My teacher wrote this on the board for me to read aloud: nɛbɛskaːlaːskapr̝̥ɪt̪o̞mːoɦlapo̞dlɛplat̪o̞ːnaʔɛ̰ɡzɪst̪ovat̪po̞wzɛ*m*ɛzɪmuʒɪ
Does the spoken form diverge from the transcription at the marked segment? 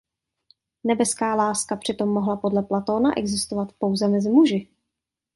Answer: no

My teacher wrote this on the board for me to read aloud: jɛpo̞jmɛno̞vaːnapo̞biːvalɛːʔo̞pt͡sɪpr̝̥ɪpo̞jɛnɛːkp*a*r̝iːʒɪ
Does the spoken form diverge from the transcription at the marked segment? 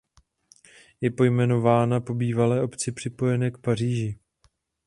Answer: no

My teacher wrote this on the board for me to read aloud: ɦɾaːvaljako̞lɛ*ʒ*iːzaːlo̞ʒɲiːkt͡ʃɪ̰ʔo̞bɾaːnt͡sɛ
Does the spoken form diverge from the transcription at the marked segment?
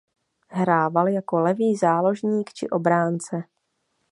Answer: yes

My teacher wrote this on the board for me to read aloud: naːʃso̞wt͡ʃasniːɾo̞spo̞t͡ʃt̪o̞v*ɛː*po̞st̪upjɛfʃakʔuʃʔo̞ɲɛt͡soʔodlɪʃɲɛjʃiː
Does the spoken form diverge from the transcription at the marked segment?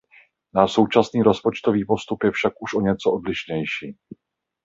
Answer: yes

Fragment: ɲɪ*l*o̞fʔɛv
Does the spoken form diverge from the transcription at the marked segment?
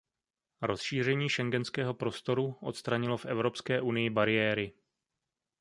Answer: no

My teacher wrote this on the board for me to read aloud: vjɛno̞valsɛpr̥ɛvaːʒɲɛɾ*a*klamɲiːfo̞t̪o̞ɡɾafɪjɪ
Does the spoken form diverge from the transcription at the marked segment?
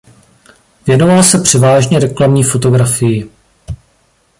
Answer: yes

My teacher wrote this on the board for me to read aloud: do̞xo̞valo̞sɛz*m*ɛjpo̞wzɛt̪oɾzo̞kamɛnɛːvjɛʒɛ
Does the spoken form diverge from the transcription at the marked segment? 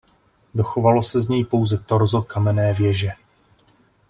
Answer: yes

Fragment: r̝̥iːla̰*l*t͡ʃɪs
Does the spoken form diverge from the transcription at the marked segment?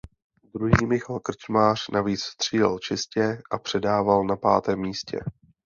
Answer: no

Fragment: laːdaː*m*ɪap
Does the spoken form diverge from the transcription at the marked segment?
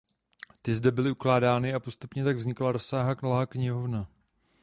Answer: yes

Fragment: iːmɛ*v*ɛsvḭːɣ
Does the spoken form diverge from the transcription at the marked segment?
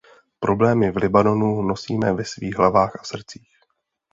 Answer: no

